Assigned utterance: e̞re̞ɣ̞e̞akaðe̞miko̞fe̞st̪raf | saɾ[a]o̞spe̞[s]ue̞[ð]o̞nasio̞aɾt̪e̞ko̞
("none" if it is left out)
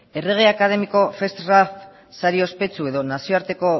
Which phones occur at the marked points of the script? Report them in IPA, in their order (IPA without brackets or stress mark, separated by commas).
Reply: i, t͡s, ð